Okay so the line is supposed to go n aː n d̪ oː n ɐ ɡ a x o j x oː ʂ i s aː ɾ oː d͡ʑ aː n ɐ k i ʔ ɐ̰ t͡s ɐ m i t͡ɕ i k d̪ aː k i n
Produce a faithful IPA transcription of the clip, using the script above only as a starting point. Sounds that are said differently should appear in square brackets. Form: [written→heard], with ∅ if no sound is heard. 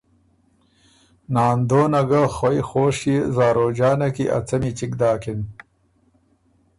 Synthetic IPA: n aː n d̪ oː n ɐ ɡ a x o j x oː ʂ i [s→z] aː ɾ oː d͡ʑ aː n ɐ k i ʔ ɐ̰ t͡s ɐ m i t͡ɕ i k d̪ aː k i n